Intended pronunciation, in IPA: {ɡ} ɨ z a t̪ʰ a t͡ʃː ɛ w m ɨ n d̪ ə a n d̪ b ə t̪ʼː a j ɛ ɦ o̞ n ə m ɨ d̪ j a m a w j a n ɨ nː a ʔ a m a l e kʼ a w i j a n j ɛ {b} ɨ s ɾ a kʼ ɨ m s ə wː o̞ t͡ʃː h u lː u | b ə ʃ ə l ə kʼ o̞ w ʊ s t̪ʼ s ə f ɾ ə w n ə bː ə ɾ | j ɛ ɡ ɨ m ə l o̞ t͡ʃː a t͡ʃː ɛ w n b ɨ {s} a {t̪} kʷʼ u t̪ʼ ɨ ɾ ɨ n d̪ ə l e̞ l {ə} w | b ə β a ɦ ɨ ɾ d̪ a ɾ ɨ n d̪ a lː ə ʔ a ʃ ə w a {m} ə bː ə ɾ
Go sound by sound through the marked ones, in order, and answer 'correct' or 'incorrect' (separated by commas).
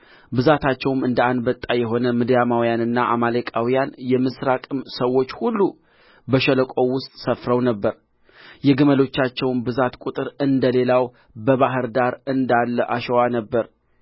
incorrect, incorrect, incorrect, correct, incorrect, incorrect